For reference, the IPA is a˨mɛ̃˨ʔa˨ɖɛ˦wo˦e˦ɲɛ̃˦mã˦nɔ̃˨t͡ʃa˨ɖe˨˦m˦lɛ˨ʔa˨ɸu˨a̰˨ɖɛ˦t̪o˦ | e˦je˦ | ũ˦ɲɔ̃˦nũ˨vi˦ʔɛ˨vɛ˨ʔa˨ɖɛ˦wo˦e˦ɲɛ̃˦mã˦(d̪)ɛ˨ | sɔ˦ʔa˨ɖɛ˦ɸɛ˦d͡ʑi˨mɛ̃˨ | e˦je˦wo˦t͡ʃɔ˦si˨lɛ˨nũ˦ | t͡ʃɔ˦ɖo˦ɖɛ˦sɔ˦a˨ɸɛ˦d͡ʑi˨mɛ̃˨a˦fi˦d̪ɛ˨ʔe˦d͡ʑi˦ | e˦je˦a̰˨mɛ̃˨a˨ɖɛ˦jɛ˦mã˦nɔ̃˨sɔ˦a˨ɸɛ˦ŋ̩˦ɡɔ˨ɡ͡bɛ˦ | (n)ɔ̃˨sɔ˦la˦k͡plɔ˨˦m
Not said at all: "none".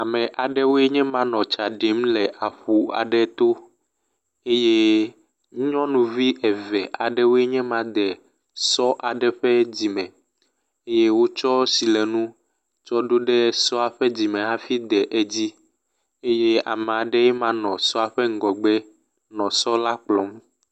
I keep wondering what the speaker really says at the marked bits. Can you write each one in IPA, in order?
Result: d̪, n

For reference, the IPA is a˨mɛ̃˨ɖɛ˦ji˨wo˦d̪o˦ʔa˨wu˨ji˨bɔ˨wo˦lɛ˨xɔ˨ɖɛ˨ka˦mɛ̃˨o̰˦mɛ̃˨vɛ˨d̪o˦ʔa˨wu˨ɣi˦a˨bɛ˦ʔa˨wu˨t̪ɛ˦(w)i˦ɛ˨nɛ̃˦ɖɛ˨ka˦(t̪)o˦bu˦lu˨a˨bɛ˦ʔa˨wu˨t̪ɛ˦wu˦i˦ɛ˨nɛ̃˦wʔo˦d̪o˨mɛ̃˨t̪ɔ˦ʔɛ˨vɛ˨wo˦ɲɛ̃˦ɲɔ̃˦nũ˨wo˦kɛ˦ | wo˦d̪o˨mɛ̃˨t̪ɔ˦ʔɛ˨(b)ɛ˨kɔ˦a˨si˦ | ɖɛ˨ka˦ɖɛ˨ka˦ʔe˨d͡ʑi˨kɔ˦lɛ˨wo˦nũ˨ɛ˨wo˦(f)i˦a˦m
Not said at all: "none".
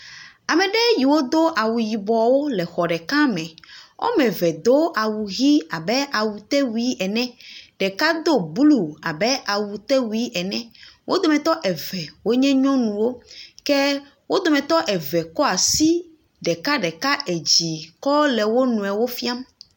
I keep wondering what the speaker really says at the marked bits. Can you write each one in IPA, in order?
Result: w, d̪, v, f

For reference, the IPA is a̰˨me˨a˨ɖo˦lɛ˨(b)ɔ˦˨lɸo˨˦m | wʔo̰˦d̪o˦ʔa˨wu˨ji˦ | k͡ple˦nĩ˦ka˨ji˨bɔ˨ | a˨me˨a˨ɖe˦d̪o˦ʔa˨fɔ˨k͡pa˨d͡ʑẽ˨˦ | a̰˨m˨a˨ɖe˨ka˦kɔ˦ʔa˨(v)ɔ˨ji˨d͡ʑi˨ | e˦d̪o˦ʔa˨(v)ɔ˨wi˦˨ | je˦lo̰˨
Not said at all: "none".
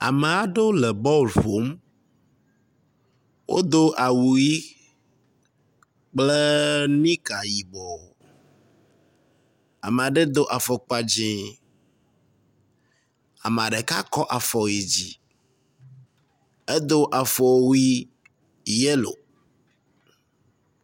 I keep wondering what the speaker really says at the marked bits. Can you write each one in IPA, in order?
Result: b, f, f

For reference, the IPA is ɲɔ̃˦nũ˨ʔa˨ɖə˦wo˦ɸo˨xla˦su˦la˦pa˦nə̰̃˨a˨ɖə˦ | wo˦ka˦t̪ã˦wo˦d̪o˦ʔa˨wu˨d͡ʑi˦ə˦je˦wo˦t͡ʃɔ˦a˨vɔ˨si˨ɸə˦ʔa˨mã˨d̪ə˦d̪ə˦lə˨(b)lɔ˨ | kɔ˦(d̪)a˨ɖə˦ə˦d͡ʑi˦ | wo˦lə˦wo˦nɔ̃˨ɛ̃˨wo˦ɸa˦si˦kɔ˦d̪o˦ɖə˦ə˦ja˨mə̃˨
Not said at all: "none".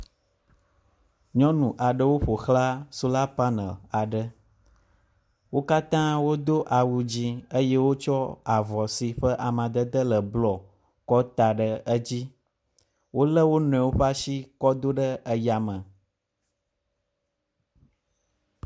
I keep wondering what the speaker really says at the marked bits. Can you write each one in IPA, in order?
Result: b, t̪

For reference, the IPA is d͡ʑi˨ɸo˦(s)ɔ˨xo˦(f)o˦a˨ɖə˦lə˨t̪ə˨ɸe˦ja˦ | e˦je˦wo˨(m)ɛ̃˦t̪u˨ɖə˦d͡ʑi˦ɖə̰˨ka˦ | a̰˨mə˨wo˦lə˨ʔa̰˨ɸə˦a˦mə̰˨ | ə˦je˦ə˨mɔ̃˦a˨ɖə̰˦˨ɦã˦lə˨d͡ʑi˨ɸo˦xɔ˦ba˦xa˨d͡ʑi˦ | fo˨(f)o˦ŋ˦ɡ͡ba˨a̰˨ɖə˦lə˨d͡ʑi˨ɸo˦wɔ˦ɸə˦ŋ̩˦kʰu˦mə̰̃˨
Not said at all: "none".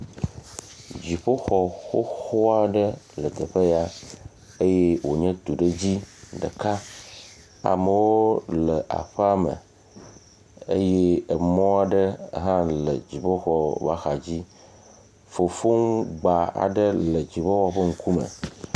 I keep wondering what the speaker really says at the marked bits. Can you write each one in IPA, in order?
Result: x, x, ɲ, f

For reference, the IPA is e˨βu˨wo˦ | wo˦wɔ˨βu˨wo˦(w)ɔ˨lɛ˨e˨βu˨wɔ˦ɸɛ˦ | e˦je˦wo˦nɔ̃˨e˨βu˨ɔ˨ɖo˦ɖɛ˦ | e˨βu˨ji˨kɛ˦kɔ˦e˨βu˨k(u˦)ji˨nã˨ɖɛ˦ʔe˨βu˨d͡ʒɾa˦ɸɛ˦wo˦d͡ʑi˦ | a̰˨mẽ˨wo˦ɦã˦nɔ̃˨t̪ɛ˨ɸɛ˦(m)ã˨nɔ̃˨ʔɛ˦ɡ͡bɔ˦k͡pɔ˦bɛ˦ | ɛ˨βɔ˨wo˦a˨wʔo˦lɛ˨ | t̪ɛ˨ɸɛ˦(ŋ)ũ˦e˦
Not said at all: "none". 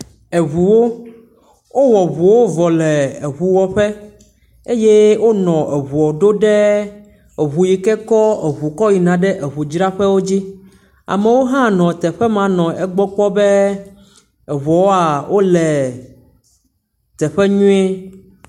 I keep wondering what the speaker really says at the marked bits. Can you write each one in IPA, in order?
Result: v, ɔ˦, m, ɲ

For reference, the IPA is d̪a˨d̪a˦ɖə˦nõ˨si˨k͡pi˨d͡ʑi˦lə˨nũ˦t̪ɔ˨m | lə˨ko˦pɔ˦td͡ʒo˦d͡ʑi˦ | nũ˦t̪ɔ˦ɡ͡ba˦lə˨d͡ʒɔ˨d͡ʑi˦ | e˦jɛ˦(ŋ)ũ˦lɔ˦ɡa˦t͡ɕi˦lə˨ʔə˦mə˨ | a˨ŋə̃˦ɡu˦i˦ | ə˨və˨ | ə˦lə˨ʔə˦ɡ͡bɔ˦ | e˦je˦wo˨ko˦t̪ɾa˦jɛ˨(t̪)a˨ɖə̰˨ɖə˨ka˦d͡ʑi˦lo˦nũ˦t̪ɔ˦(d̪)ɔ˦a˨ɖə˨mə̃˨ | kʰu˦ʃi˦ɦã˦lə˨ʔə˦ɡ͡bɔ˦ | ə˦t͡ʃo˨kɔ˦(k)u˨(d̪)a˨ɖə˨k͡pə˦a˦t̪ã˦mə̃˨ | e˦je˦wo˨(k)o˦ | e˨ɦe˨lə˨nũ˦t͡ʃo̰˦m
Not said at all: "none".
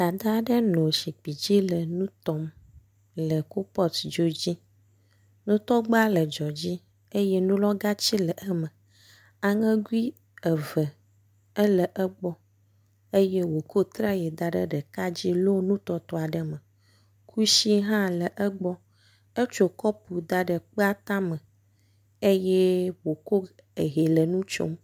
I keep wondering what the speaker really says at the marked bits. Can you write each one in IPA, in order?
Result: n, d̪, t̪, p, d̪, k

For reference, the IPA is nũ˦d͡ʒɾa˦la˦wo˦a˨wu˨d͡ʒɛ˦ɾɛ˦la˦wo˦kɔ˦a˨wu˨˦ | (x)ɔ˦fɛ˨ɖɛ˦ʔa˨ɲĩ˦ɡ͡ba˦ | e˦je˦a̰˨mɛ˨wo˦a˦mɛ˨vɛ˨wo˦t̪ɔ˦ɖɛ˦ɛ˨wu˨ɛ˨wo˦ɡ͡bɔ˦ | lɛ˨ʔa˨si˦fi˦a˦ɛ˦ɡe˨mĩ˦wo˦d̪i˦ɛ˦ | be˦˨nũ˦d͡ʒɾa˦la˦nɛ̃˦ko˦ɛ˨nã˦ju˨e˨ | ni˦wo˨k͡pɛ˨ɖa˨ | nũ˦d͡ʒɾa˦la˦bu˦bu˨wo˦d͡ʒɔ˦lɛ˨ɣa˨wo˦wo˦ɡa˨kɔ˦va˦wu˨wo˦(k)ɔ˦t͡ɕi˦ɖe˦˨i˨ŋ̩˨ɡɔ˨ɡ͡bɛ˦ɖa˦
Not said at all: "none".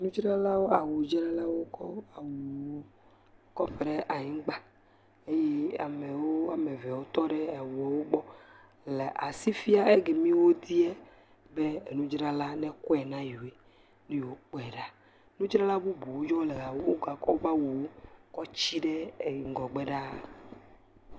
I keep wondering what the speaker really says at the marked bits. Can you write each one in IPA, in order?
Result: k, k

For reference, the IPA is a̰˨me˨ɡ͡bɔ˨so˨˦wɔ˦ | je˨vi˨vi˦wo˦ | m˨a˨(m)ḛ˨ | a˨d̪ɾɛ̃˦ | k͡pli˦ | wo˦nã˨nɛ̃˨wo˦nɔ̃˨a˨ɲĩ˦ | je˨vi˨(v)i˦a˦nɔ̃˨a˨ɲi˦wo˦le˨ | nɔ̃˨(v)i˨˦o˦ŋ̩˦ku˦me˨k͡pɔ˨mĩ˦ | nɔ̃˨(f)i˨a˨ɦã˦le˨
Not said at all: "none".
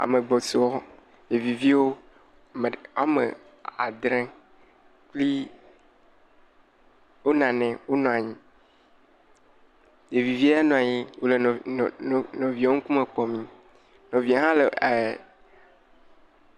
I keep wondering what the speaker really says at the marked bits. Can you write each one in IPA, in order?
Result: m, v, v, v

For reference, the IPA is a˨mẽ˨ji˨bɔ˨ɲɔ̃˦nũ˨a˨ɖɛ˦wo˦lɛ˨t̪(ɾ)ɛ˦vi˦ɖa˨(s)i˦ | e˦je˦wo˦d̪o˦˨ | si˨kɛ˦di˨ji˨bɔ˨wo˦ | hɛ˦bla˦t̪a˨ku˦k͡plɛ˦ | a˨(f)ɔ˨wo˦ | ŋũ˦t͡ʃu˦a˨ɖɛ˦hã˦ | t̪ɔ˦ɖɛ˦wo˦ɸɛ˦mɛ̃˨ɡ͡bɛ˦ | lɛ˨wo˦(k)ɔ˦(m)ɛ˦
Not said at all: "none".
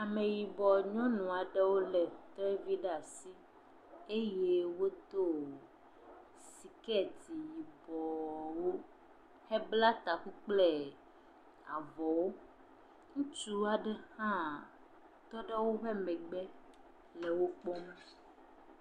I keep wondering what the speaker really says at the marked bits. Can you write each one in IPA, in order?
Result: ɾ, s, v, k͡p, m

